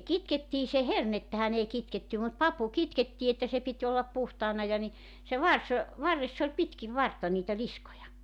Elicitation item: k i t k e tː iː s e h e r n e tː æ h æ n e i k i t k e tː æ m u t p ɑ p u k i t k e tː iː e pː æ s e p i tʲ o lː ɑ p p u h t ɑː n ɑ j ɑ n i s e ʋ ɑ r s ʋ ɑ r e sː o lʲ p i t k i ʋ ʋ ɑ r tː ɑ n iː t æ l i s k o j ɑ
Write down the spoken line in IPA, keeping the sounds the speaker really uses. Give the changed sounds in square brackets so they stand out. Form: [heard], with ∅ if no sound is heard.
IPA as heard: k i t k e tː iː s e h e r n e tː æ h æ n e i k i t k e tː æ m u t p ɑ p u k i t k e tː iː e [tː] æ s e p i tʲ o lː ɑ p p u h t ɑː n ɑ j ɑ n i s e ʋ ɑ r s ʋ ɑ [rː] e sː o lʲ p i t k i ʋ ʋ ɑ r tː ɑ n iː t æ l i s k o j ɑ